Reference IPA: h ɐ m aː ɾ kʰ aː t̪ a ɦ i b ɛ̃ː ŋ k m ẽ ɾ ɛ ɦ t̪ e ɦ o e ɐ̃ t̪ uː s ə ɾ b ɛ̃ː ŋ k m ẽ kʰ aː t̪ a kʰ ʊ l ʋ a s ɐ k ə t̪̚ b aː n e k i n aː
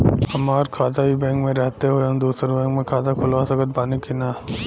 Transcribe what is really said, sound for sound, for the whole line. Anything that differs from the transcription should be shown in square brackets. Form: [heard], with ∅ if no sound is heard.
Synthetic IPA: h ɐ m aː ɾ kʰ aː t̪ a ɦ i b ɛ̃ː ŋ k m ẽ ɾ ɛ ɦ t̪ e ɦ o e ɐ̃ [d̪] uː s ə ɾ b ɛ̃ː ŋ k m ẽ kʰ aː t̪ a kʰ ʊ l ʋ a s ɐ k ə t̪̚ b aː n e k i n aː